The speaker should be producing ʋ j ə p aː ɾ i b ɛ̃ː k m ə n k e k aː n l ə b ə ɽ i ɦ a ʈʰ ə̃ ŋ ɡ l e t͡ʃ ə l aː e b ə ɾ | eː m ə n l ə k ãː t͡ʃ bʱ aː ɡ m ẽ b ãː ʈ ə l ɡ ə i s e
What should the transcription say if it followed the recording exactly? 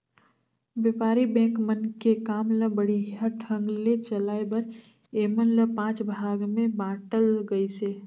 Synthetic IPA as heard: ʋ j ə p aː ɾ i b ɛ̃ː k m ə n k e k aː m l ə b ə ɽ i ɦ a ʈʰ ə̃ ŋ ɡ l e t͡ʃ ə l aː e b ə ɾ | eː m ə n l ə p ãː t͡ʃ bʱ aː ɡ m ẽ b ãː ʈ ə l ɡ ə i s e